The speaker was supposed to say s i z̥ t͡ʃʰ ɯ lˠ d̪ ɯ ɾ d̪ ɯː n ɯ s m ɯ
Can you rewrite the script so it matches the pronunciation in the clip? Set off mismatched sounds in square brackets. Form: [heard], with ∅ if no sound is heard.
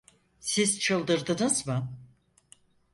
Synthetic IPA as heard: s i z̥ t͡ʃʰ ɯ lˠ d̪ ɯ ɾ d̪ [ɯ] n ɯ [z] m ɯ